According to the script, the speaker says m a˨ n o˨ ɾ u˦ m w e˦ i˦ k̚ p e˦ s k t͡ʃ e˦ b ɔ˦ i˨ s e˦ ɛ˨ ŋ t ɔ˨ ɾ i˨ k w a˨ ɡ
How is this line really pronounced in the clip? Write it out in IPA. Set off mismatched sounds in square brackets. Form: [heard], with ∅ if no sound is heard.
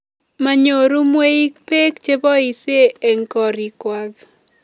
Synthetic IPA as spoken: m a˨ [ɲ] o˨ ɾ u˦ m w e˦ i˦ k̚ p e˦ [∅] k t͡ʃ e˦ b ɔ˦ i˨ s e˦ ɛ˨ ŋ [k] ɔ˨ ɾ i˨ k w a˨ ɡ